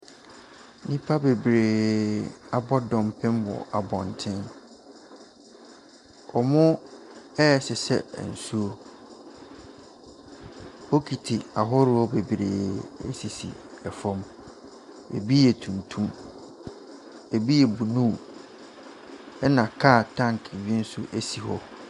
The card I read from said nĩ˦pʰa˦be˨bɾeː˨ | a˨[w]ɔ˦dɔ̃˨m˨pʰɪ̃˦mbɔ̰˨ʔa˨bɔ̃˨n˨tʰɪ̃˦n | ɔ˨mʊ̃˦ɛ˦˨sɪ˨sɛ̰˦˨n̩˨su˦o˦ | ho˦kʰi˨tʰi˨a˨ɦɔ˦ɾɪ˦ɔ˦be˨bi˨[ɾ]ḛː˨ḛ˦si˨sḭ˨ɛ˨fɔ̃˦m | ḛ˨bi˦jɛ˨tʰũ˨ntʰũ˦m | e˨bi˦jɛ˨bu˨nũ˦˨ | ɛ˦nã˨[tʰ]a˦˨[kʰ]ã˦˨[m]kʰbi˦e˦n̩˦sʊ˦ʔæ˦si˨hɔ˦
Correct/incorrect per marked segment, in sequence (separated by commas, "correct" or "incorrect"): incorrect, correct, incorrect, incorrect, incorrect